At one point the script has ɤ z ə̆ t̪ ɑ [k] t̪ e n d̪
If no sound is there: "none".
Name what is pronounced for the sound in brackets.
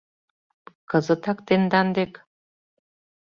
k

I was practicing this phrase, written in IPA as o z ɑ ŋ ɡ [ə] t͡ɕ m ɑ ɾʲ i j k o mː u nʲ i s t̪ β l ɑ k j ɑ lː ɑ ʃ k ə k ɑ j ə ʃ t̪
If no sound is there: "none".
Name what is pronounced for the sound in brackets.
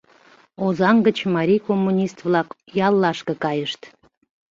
ə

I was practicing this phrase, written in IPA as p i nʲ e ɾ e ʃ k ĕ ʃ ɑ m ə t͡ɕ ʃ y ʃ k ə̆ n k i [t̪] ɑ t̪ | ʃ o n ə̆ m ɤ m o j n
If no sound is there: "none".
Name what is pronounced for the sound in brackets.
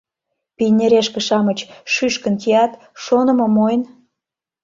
none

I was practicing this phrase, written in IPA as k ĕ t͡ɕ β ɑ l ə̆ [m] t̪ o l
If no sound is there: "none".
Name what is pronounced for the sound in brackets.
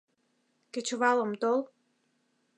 m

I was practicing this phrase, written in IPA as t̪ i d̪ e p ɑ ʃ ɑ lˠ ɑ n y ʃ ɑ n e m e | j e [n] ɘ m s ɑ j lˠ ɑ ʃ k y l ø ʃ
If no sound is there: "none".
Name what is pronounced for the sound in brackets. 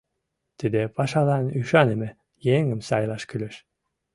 ŋ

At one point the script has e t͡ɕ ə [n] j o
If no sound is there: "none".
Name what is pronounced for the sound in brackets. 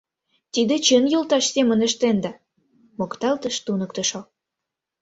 n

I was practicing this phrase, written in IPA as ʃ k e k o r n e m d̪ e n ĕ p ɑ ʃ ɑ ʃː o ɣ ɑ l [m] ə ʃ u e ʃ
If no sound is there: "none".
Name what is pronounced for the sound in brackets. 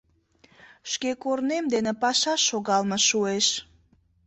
m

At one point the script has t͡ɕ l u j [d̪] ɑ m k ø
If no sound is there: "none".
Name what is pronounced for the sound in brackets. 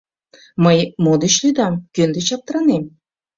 d̪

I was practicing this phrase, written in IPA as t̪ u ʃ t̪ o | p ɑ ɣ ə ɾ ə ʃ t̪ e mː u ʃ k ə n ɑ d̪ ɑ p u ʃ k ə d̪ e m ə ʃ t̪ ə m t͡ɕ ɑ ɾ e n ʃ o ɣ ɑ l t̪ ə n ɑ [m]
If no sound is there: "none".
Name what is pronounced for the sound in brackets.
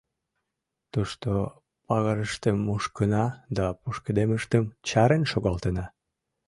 none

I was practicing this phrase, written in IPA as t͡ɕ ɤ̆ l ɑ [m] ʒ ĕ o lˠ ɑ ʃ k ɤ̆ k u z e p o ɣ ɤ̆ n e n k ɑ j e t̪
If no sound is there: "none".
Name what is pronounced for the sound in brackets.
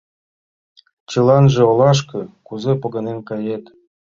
n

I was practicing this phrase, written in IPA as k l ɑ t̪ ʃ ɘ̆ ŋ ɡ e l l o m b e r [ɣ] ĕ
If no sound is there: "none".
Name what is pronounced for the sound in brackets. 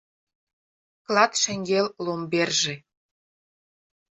ʒ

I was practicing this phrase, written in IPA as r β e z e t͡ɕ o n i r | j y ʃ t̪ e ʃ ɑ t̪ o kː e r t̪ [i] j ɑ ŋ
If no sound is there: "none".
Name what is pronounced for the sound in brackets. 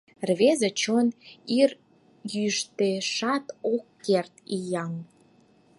i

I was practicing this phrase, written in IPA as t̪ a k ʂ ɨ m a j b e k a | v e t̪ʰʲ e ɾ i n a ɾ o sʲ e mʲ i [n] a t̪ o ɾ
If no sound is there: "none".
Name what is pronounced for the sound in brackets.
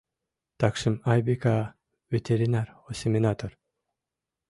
n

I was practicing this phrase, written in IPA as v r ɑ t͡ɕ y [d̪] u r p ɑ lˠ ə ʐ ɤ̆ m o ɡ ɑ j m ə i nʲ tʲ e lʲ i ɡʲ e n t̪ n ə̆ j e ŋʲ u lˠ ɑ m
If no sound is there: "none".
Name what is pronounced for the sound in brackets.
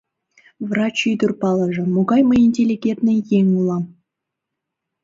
d̪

